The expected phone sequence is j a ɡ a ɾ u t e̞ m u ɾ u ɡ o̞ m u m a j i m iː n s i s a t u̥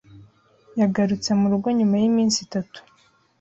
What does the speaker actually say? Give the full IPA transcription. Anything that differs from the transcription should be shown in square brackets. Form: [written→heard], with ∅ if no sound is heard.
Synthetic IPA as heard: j a ɡ a ɾ u [t→t͡s] e̞ m u ɾ u ɡ o̞ [m→ɲ] u m a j i m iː n s i [s→t] a t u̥

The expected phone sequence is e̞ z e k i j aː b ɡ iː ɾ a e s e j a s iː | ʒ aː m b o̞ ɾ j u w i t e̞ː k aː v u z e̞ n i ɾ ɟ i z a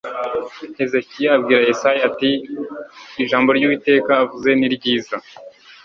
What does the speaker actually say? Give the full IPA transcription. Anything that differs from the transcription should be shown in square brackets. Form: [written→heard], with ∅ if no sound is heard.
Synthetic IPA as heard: e̞ z e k i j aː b ɡ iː ɾ a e s [e→a] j a [s→t] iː | ʒ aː m b o̞ ɾ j u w i t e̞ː k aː v u z e̞ n i ɾ ɟ [i→iː] z a

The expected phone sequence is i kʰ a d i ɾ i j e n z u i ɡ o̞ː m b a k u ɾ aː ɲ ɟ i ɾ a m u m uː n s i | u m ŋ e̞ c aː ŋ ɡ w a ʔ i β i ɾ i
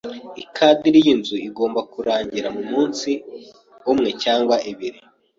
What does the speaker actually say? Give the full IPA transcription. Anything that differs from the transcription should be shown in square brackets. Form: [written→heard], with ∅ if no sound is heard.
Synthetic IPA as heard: i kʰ a d i ɾ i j [e→i] n z u i ɡ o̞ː m b a k u ɾ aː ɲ ɟ i ɾ a m u m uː n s i | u m ŋ e̞ c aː ŋ ɡ w a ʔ i β i ɾ i

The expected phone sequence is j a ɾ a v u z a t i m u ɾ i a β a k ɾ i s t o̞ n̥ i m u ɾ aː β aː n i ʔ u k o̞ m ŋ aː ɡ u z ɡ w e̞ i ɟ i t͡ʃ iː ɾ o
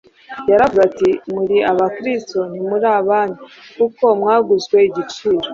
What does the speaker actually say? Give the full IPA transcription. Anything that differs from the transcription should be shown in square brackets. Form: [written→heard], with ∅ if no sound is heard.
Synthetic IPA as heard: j a ɾ a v u z a t i m u ɾ i a β a k ɾ i s t o̞ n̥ i m u ɾ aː β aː n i [ʔ→k] u k o̞ m ŋ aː ɡ u z ɡ w e̞ i ɟ i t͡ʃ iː ɾ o

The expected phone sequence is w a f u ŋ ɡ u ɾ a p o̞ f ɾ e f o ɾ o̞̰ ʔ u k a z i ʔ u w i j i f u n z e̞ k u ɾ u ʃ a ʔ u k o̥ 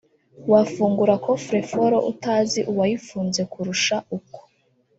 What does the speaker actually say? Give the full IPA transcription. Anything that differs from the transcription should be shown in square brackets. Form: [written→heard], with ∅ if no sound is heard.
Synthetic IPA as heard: w a f [u→uː] ŋ ɡ u ɾ a [p→k] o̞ f ɾ e f o ɾ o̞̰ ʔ u [k→t] a z i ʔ u w [i→a] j i f [u→uː] n z e̞ k u ɾ u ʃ a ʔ u k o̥

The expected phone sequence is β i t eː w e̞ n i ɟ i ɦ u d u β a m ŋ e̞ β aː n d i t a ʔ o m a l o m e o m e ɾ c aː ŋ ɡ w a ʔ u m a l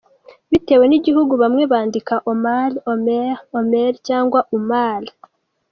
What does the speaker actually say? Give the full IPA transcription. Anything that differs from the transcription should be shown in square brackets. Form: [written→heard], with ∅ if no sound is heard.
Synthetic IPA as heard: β i t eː w e̞ n i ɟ i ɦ u [d→ɡ] u β a m ŋ e̞ β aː n d i [t→k] a ʔ o m a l o m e o m e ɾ c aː ŋ ɡ w a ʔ u m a l

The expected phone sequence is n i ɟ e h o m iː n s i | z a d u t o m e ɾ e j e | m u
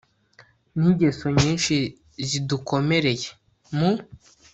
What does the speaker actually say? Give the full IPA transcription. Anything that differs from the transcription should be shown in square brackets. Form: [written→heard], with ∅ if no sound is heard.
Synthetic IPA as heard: n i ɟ e [h→s] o [m→ɲ] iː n [s→ʃ] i | z [a→i] d u [t→k] o m e ɾ e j e | m u

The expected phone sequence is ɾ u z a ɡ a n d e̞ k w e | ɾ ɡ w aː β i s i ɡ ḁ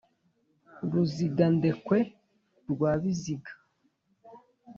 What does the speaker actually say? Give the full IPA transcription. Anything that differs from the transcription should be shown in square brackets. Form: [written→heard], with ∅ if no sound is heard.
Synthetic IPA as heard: ɾ u z [a→i] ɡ a n d e̞ k w e | ɾ ɡ w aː β i [s→z] i ɡ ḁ

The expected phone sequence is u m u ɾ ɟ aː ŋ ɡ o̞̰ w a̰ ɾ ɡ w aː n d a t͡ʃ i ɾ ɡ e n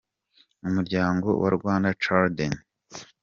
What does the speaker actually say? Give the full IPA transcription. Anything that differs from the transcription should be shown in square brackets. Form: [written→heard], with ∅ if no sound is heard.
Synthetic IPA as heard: u m u ɾ ɟ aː ŋ ɡ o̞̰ w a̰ ɾ ɡ w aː n d a t͡ʃ [i→a] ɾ [ɡ→d] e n

